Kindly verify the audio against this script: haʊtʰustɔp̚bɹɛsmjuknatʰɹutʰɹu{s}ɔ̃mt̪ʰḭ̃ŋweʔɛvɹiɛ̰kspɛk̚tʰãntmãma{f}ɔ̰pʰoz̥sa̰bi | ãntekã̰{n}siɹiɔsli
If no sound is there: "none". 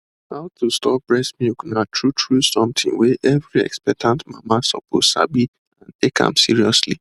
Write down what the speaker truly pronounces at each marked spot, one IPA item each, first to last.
s, s, m

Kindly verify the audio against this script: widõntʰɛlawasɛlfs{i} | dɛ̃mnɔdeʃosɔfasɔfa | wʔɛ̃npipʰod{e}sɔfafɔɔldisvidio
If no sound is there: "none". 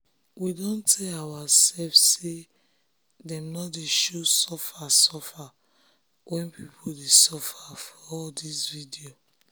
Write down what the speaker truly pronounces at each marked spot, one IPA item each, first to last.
e, e

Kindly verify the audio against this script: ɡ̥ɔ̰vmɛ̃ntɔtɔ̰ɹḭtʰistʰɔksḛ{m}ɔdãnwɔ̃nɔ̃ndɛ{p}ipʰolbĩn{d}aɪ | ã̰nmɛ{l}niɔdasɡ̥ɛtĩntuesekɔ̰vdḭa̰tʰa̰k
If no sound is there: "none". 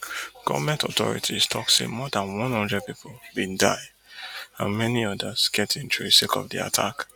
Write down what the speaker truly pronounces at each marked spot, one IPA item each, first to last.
m, p, d, none

